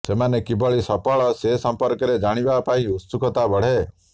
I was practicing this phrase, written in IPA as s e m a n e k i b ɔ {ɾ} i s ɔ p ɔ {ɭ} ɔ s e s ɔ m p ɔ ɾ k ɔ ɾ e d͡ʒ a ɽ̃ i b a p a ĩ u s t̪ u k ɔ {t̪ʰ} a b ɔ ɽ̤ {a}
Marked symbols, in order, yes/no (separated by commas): no, yes, no, no